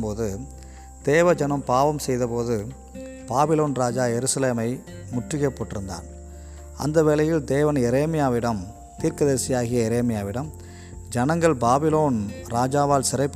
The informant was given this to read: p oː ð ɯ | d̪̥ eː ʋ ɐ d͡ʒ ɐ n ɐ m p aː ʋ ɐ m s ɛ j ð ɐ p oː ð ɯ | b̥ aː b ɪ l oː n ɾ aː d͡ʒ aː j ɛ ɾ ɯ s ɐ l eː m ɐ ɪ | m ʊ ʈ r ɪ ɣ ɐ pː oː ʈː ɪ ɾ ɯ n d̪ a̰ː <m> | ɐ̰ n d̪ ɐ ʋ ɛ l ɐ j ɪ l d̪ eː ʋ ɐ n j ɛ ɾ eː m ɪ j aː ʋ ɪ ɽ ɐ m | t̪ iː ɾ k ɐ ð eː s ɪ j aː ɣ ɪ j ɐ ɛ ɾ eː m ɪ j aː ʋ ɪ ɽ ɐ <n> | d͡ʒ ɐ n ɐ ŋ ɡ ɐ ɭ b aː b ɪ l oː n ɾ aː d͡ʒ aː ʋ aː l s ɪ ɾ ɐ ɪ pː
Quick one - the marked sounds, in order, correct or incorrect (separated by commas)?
incorrect, incorrect